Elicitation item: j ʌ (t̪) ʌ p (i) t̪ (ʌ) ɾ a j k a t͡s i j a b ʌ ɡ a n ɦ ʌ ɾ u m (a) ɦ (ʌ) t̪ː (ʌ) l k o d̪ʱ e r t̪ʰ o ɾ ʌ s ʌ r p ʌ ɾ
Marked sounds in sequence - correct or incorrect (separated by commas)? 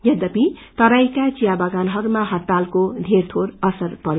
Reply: incorrect, correct, correct, correct, correct, incorrect